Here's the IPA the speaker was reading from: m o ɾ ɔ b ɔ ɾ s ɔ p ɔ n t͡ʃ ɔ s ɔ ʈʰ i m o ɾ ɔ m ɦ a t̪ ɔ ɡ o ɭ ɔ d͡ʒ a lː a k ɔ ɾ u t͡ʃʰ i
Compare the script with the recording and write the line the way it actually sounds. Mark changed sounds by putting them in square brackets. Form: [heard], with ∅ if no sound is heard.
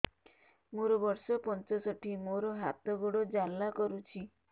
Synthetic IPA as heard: m o ɾ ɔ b ɔ ɾ s ɔ p ɔ n t͡ʃ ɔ s ɔ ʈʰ i m o ɾ ɔ [∅] ɦ a t̪ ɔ ɡ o [ɽ] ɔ d͡ʒ a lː a k ɔ ɾ u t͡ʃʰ i